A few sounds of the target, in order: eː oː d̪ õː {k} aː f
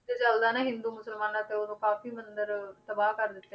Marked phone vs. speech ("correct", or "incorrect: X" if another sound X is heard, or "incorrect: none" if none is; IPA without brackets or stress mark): correct